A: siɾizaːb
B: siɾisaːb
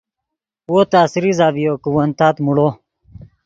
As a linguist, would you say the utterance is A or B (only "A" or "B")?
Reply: A